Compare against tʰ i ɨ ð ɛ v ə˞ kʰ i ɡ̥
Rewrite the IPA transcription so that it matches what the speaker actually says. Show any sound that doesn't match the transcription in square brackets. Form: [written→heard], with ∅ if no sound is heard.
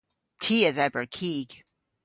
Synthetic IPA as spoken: tʰ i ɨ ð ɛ [v→b] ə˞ kʰ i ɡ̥